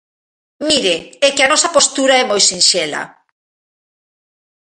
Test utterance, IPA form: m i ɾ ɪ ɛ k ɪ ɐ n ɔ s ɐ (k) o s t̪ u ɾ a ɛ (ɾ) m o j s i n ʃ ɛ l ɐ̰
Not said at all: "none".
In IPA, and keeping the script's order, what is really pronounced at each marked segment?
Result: p, none

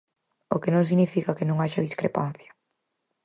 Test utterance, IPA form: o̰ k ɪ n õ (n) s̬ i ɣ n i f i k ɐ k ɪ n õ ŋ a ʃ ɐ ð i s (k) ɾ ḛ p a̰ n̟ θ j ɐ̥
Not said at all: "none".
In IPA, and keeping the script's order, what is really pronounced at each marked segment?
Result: ŋ, k

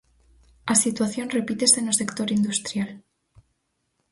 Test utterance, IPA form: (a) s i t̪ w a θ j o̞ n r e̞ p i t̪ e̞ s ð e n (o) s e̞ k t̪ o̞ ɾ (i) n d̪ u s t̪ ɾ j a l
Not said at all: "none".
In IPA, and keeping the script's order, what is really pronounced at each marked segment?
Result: a, o, i

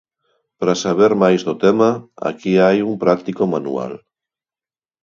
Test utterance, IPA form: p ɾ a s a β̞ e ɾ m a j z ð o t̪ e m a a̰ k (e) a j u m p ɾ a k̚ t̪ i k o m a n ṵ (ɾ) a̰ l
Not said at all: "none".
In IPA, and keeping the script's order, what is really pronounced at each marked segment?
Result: i, none

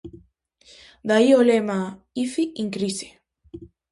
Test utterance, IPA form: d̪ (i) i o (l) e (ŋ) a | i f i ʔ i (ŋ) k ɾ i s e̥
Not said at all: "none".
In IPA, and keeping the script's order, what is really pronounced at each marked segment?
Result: a, l, m, ŋ

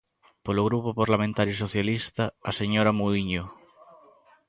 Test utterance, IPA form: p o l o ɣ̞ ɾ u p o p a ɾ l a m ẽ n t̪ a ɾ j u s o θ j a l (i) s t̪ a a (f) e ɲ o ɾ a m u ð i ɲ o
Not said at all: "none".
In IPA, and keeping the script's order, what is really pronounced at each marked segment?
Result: i, s

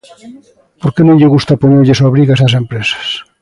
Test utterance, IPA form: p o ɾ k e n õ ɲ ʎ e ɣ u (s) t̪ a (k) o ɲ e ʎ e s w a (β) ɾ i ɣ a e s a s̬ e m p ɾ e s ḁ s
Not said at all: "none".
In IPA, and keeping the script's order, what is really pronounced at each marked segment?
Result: s, p, β

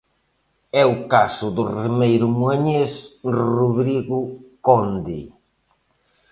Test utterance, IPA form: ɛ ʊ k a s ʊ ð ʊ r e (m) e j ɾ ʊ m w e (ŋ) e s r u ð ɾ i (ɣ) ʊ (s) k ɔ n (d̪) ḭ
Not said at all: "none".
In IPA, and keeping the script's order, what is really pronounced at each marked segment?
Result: m, ɲ, ɣ, none, d̪

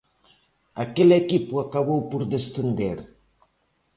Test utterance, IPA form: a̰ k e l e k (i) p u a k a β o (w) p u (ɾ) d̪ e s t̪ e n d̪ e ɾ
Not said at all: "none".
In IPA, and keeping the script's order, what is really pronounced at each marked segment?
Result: i, w, ɾ

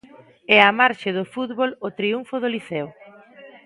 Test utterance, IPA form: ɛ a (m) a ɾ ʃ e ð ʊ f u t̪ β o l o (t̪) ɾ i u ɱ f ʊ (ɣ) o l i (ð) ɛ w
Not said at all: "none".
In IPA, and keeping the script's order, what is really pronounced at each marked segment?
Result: m, t̪, ð, θ

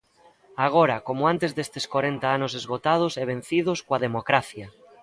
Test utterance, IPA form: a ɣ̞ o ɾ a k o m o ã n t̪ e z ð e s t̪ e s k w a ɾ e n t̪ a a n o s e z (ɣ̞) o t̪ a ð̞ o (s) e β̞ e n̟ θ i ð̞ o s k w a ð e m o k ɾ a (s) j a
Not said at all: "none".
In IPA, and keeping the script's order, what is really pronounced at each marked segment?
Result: ɣ̞, s, θ

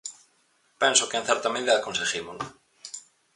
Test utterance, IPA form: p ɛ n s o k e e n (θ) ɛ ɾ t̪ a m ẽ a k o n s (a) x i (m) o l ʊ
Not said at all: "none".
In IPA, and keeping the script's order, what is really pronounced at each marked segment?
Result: θ, e, m

